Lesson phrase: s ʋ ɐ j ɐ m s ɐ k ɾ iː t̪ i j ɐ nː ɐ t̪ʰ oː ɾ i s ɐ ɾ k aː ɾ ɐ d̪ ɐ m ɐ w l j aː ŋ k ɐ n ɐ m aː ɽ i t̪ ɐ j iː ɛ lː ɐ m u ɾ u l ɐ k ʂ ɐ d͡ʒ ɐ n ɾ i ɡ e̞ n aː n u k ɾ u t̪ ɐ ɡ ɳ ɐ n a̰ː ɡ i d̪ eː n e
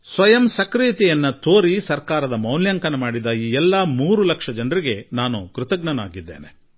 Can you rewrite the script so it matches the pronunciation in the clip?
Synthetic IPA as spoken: s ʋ ɐ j ɐ m s ɐ k ɾ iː t̪ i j ɐ nː ɐ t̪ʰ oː ɾ i s ɐ ɾ k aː ɾ ɐ d̪ ɐ m ɐ w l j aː ŋ k ɐ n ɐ m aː ɽ i d̪ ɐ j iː ɛ lː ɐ m uː ɾ u l ɐ k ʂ ɐ d͡ʒ ɐ n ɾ i ɡ e̞ n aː n u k ɾ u t̪ ɐ ɡ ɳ ɐ n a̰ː ɡ i d̪ː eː n e